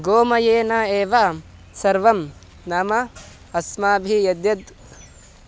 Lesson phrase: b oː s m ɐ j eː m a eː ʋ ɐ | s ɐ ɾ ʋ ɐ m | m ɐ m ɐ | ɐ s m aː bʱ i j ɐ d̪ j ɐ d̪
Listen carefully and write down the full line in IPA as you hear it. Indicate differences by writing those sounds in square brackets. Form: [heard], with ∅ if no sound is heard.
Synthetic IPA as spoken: [ɡ] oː [∅] m ɐ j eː [n] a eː ʋ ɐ | s ɐ ɾ ʋ ɐ m | [n] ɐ m ɐ | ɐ s m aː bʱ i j ɐ d̪ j ɐ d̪